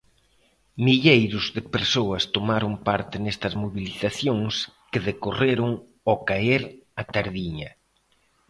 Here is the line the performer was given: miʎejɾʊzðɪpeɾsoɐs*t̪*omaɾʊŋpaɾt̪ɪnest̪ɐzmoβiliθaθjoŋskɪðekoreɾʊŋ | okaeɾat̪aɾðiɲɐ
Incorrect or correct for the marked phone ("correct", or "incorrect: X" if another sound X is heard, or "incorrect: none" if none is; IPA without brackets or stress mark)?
correct